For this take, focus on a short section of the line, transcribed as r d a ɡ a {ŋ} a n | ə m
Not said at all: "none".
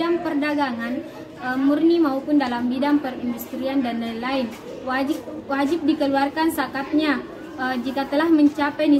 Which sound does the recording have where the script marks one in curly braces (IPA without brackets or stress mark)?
ŋ